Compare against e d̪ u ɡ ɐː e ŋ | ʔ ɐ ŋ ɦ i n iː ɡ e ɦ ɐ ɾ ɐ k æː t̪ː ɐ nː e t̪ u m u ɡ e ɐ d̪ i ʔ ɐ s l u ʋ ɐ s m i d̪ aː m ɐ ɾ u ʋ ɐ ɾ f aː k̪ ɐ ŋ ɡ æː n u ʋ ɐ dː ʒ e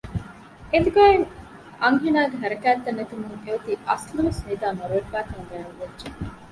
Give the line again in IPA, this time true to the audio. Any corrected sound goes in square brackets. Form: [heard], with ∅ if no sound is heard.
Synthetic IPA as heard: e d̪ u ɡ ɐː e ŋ | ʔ ɐ ŋ ɦ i n [aː] ɡ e ɦ ɐ ɾ ɐ k æː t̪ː ɐ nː e t̪ u m u [ŋ] e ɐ [t̪] i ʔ ɐ s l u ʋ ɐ s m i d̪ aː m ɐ ɾ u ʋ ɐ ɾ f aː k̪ ɐ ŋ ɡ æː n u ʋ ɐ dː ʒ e